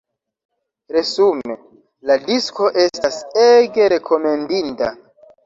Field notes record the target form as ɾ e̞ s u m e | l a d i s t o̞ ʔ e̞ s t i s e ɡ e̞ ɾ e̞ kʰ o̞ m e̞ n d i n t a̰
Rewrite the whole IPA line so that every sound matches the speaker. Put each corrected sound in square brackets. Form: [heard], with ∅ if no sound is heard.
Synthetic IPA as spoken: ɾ e̞ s u m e | l a d i s [k] o̞ ʔ e̞ s t [a] s e ɡ e̞ ɾ e̞ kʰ o̞ m e̞ n d i n t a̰